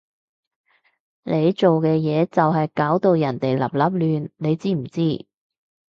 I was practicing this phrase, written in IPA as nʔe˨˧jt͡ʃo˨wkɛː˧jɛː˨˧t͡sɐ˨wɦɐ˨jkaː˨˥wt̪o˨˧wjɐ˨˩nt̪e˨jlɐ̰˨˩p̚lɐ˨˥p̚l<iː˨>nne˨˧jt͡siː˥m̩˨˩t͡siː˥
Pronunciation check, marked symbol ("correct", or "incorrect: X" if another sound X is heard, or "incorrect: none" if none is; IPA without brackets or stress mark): incorrect: yː˨